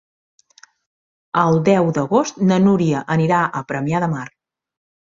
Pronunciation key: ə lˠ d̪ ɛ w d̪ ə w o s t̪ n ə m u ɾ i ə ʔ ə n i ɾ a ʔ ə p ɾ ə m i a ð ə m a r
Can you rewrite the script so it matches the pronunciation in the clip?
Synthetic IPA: ə lˠ d̪ ɛ w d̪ ə ɣ o s t̪ n ə n u ɾ i ə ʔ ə n i ɾ a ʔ ə p ɾ ə m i a ð ə m a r